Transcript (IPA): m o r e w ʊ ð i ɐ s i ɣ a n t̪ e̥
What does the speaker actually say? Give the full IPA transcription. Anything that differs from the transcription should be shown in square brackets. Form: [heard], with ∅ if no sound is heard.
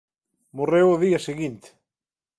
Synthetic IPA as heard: m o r e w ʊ ð i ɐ s [e] ɣ [i] n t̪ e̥

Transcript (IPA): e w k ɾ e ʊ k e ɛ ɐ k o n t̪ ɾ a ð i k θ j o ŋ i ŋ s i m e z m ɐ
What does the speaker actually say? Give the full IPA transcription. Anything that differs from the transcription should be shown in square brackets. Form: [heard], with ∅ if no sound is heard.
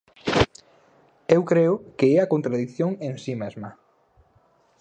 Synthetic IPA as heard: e w k ɾ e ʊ k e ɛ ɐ k o n t̪ ɾ a ð i k θ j o ŋ [e] ŋ s i m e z m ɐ

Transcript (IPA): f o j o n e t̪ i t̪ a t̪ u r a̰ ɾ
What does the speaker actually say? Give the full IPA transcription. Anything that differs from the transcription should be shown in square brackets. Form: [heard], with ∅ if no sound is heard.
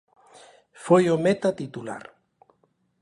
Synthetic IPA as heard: f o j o [m] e t̪ [a] t̪ [i] t̪ u [l] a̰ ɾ

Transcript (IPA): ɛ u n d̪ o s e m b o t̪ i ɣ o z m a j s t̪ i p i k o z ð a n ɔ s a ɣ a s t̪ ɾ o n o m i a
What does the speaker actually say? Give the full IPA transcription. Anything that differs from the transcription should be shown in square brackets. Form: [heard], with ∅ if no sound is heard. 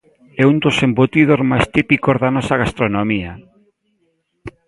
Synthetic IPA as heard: ɛ u n d̪ o s e m b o t̪ i [ð] o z m a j s t̪ i p i k o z ð a n ɔ s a ɣ a s t̪ ɾ o n o m i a

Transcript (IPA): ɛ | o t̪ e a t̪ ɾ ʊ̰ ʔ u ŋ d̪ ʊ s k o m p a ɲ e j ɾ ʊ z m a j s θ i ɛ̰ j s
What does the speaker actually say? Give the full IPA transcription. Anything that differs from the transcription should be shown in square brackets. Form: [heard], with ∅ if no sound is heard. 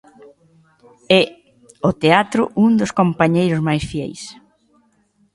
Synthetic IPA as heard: ɛ | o t̪ e a t̪ ɾ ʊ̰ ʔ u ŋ d̪ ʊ s k o m p a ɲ e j ɾ ʊ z m a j s [f] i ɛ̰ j s

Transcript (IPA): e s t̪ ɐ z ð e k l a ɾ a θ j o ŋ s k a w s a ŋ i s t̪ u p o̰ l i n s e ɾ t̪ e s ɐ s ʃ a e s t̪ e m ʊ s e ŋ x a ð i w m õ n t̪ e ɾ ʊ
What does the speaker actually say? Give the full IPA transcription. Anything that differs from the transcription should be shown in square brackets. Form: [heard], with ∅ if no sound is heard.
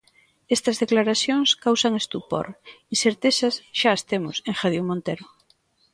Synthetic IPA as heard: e s t̪ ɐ z ð e k l a ɾ a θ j o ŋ s k a w s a ŋ [e] s t̪ u p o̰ [ɾ] i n s e ɾ t̪ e s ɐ s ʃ a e s t̪ e m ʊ s e ŋ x a ð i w m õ n t̪ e ɾ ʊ

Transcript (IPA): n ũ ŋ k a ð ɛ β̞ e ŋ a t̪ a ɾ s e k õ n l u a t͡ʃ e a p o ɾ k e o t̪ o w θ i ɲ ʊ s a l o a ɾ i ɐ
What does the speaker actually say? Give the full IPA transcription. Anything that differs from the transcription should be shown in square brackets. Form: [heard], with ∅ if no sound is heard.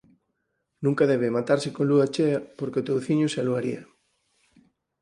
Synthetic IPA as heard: n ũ ŋ k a ð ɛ β̞ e [m] a t̪ a ɾ s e k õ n l u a t͡ʃ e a p o ɾ k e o t̪ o w θ i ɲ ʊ s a l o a ɾ i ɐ

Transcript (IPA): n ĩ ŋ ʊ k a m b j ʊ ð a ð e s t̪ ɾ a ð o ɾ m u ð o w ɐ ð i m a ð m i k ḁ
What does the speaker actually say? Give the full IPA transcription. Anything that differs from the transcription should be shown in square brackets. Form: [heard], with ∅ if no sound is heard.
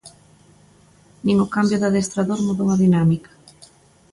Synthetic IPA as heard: n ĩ ŋ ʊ k a m b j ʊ ð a ð e s t̪ ɾ a ð o ɾ m u ð o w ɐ ð i [n] a [∅] m i k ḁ

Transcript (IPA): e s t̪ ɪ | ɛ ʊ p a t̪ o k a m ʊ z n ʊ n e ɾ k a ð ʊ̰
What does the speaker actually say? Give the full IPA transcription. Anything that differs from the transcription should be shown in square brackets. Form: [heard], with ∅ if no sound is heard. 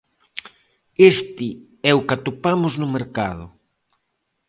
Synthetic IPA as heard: e s t̪ ɪ | ɛ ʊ [k] a t̪ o [p] a m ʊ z n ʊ [m] e ɾ k a ð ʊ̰

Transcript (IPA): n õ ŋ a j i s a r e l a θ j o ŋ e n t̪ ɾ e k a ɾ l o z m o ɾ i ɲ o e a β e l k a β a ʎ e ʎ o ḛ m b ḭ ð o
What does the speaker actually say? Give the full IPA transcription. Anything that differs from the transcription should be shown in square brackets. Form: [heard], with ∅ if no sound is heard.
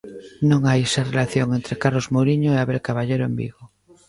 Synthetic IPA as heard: n õ ŋ a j [e] s a r e l a θ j o ŋ e n t̪ ɾ e k a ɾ l o z m o ɾ i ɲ o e a β e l k a β a ʎ e [ɾ] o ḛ m b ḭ [ɣ] o

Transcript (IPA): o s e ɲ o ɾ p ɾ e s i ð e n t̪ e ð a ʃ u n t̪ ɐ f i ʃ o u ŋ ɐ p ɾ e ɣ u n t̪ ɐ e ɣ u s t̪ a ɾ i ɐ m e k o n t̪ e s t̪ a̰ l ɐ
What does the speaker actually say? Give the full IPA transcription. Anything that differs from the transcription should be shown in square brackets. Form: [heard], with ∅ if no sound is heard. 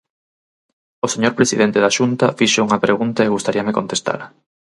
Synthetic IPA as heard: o s e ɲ o ɾ p ɾ e s i ð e n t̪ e ð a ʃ u n t̪ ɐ f i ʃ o u ŋ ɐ p ɾ e ɣ u n t̪ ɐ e ɣ u s t̪ a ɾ i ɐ m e k o n t̪ e s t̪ a̰ l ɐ

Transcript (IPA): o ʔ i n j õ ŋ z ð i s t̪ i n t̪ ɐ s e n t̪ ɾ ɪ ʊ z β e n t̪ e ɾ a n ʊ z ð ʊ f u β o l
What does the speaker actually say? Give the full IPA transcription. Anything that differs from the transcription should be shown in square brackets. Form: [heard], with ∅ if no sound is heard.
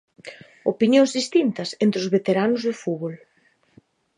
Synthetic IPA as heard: o [p] i n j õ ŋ z ð i s t̪ i n t̪ ɐ s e n t̪ ɾ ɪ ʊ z β e [∅] t̪ e ɾ a n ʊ z ð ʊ f u β o l

